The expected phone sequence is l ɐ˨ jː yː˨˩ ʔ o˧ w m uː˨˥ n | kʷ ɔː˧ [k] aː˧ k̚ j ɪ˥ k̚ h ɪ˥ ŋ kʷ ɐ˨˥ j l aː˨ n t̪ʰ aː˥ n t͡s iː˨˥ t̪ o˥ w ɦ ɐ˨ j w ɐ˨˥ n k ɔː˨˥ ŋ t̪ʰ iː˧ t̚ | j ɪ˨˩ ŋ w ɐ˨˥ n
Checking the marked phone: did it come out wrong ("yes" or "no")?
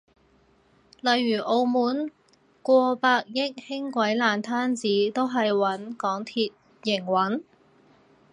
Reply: yes